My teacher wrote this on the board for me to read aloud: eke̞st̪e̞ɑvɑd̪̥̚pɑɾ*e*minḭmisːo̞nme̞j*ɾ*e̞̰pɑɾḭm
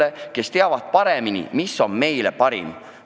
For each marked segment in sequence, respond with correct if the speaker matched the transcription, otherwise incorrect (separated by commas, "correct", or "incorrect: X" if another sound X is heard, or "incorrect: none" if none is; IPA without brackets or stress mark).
correct, incorrect: l